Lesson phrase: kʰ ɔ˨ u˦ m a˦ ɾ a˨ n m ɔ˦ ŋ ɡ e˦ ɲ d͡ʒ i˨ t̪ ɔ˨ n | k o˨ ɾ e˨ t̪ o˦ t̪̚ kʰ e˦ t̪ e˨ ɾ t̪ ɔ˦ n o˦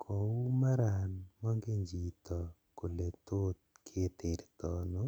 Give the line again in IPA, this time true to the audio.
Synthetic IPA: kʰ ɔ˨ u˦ m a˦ ɾ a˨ n m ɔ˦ ŋ ɡ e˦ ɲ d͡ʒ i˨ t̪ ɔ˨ | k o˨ l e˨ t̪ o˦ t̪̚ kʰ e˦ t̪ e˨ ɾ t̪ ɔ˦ n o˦